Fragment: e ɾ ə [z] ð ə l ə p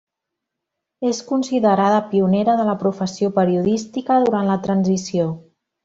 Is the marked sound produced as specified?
no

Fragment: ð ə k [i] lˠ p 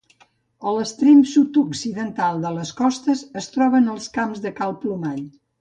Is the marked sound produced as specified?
no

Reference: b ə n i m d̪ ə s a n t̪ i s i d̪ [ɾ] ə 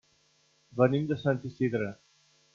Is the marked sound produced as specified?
yes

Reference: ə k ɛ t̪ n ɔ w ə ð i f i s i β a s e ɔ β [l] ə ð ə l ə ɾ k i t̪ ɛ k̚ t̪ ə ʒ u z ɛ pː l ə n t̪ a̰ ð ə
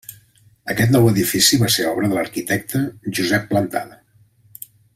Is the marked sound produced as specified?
no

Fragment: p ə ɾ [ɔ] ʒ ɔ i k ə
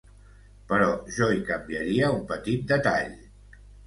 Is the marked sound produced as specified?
yes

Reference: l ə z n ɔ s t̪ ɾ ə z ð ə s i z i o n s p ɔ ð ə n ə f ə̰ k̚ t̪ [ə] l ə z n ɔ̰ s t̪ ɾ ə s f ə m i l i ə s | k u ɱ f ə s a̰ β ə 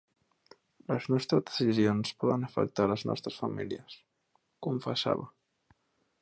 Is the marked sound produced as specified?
no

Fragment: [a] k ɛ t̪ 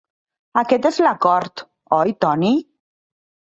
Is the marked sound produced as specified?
yes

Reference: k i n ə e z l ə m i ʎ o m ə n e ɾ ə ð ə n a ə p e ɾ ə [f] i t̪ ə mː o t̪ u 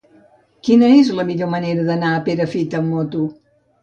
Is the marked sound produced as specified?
yes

